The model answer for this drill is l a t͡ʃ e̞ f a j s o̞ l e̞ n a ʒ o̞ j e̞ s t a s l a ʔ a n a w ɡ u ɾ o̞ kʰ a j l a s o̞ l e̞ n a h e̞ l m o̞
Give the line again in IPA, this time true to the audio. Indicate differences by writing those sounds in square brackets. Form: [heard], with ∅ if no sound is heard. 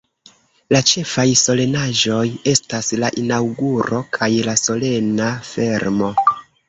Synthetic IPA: l a t͡ʃ e̞ f a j s o̞ l e̞ n a ʒ o̞ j e̞ s t a s l a ʔ [i] n a w ɡ u ɾ o̞ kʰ a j l a s o̞ l e̞ n a [f] e̞ [ɾ] m o̞